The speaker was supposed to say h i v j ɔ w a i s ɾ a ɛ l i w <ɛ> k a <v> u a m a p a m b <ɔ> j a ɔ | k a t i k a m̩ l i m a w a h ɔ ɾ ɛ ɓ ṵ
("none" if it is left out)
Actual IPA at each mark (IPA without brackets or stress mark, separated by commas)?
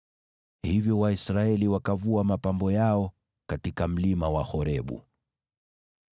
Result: a, v, ɔ